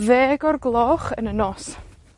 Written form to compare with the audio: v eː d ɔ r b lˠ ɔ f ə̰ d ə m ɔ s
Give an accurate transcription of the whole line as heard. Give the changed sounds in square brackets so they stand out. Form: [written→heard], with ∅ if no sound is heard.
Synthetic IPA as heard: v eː [d→ɡ] ɔ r [b→ɡ] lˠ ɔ [f→χ] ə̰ [d→n] ə [m→n] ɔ s

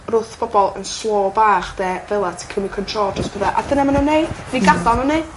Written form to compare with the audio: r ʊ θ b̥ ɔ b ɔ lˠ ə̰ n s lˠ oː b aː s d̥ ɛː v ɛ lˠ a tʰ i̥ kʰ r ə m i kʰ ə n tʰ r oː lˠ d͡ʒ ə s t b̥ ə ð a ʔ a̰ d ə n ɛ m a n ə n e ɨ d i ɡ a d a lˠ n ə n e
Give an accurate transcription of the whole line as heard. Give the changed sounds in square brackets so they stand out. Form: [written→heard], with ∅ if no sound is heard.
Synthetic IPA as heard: r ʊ θ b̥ ɔ b ɔ lˠ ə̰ n s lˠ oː b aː [s→χ] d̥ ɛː v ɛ lˠ a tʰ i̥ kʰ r ə m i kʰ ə n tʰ r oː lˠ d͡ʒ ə s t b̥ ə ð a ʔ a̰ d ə n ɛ m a n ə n e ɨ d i ɡ a d a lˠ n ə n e

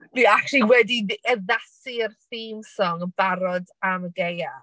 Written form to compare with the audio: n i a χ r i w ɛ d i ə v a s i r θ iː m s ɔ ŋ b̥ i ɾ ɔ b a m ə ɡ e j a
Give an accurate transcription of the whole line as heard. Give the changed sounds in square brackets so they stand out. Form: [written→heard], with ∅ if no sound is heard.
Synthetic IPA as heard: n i a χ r i w ɛ d i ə [v→ð] a s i r θ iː m s ɔ ŋ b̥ [i→a] ɾ ɔ [b→d] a m ə ɡ e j a

